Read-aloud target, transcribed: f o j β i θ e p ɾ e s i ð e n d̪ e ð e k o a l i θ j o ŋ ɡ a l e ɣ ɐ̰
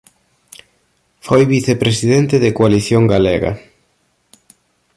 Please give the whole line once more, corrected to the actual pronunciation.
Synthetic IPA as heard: f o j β i θ e p ɾ e s i ð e n t̪ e ð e k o a l i θ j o ŋ ɡ a l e ɣ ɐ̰